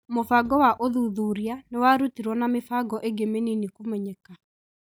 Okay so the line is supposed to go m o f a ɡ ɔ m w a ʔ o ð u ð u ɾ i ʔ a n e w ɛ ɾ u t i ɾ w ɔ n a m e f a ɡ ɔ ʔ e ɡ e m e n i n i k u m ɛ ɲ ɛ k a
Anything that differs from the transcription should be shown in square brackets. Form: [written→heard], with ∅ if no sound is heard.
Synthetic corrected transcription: m o f a ɡ ɔ [m→∅] w a ʔ o ð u ð u ɾ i [ʔ→∅] a n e w [ɛ→a] ɾ u t i ɾ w ɔ n a m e f a ɡ ɔ ʔ e ɡ e m e n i n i k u m ɛ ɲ ɛ k a